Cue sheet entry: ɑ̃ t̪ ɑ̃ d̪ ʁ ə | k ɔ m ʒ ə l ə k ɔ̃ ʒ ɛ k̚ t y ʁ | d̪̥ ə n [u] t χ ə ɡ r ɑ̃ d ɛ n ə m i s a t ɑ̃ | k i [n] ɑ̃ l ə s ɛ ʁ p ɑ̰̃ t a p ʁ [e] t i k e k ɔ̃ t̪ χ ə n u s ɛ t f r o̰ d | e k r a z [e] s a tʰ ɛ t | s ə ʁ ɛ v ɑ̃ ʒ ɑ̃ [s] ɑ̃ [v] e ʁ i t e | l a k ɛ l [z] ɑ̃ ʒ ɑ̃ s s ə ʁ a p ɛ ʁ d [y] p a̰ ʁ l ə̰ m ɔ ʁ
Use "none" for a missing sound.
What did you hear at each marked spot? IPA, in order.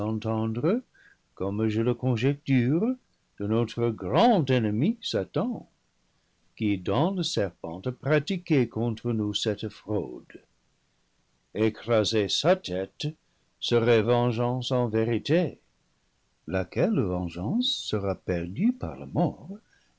o, d, a, e, s, v, v, y

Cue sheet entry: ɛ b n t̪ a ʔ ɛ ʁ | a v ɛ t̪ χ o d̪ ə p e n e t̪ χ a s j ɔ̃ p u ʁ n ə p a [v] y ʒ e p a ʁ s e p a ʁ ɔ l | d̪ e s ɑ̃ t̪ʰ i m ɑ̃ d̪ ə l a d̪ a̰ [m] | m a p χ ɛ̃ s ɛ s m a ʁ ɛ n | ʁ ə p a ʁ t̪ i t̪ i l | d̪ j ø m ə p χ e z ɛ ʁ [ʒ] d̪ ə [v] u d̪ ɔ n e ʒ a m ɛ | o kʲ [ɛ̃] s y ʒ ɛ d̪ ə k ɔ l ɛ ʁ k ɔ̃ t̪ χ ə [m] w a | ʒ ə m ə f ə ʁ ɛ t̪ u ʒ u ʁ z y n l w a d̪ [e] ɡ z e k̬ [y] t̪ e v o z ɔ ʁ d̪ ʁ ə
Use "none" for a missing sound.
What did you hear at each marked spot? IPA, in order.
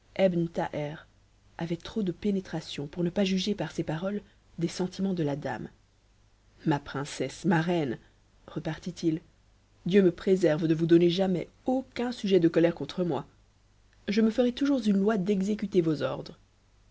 ʒ, m, v, v, ɛ̃, m, ɛ, y

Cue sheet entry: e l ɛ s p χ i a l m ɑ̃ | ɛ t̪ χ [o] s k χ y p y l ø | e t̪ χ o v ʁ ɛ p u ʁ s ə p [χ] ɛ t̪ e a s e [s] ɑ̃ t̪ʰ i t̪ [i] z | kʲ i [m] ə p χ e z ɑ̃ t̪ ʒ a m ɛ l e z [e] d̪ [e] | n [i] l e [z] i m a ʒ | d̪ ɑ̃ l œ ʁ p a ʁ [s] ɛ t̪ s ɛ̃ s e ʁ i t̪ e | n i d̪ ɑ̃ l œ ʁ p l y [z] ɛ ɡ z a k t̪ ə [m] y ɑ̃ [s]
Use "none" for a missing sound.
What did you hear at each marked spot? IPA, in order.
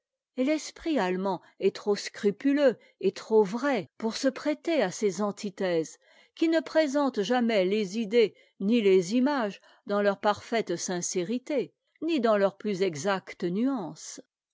o, χ, z, ɛ, n, i, e, i, z, f, z, n, s

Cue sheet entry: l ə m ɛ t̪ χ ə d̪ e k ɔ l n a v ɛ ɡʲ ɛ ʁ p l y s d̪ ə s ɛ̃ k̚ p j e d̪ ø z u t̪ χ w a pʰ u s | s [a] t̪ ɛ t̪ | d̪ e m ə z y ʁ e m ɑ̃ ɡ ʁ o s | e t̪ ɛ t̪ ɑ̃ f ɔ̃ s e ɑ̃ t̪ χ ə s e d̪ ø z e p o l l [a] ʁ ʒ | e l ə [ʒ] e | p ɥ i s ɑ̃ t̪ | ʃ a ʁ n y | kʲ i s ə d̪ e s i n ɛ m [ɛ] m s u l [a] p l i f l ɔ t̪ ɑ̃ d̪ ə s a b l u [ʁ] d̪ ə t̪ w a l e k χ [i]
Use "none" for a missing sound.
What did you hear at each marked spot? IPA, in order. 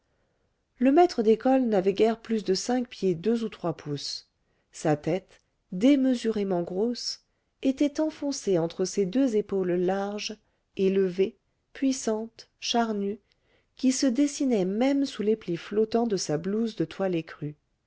a, a, v, ɛ, e, z, y

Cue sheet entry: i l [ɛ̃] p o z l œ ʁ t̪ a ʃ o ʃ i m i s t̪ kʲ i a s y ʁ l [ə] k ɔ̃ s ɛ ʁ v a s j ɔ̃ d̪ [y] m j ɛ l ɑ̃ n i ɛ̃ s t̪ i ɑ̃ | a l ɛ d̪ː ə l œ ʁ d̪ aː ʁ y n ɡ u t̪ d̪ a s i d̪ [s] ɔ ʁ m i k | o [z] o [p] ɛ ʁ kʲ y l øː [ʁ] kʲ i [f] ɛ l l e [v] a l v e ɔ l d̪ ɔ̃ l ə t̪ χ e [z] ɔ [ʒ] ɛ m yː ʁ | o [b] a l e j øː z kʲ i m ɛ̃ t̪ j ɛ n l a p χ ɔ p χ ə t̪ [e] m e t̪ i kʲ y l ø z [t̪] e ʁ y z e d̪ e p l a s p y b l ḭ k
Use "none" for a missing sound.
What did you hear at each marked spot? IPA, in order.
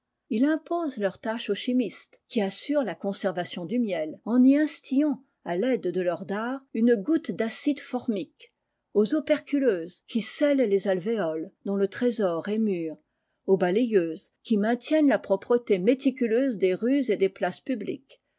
ɛ̃, a, y, f, z, p, z, s, z, z, ʁ, b, e, d̪

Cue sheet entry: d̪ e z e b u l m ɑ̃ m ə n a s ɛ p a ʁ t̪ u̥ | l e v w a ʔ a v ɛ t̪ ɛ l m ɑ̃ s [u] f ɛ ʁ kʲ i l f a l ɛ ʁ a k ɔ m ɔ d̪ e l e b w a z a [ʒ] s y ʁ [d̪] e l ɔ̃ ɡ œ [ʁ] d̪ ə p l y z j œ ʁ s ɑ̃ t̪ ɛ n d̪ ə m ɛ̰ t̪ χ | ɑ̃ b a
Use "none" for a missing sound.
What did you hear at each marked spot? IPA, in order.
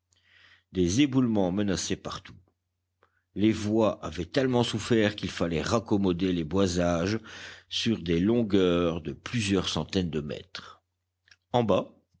u, ʒ, d̪, ʁ

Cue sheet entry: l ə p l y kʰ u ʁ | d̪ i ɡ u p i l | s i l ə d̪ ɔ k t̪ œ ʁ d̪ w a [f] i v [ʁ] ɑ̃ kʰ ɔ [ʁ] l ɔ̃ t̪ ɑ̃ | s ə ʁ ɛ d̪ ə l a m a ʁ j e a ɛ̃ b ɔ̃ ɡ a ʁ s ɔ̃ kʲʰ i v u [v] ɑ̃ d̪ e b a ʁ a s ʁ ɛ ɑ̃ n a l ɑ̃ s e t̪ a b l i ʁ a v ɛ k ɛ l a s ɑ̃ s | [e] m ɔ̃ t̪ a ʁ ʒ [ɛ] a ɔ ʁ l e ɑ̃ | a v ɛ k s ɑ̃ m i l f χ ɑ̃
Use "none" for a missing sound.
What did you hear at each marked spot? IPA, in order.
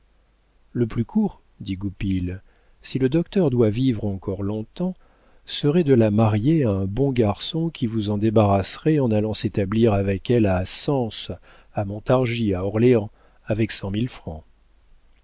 v, ʁ, ʁ, z, a, i

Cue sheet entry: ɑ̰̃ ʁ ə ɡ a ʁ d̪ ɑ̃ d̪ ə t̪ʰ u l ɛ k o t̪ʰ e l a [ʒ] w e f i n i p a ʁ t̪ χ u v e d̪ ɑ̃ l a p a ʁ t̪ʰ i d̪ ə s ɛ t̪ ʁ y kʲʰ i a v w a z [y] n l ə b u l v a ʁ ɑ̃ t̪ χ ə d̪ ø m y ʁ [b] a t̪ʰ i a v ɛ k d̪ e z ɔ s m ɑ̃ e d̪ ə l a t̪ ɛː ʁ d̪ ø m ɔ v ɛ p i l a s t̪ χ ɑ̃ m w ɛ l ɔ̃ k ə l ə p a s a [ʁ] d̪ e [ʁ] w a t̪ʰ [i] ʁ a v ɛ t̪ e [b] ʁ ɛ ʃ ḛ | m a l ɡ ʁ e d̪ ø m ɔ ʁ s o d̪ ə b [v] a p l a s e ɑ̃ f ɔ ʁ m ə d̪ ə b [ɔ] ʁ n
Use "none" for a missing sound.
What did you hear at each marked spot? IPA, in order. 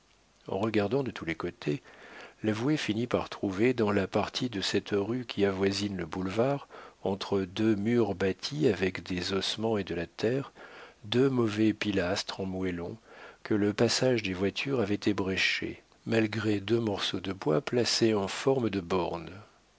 v, i, b, ʒ, v, y, b, w, ɔ

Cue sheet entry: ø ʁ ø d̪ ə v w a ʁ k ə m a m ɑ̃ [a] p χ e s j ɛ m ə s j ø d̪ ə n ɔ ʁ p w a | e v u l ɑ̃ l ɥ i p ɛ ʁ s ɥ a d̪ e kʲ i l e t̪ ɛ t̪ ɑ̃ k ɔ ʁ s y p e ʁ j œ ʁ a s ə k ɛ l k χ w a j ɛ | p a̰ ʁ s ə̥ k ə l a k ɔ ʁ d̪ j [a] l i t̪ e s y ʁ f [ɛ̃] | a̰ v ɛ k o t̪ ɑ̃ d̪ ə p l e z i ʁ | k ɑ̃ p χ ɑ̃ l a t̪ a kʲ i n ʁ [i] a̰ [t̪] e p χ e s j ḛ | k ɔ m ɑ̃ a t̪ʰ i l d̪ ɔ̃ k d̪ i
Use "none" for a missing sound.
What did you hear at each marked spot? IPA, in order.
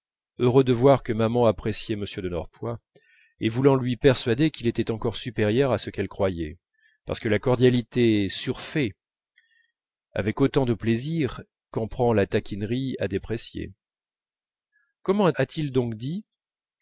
a, a, ɛ, i, d̪

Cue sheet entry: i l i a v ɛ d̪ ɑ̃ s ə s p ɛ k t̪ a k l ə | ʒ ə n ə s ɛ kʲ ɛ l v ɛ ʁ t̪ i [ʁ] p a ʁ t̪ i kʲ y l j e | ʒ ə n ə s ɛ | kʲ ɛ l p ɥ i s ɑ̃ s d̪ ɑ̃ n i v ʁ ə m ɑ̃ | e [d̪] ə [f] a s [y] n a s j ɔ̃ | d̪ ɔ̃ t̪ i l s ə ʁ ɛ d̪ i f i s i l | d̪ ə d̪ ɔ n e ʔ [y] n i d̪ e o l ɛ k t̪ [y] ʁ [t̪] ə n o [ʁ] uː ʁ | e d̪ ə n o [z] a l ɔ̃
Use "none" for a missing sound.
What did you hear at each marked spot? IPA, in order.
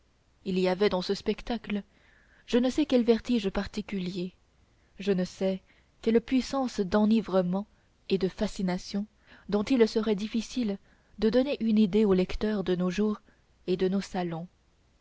ʒ, d̪, f, i, y, œ, d̪, ʒ, s

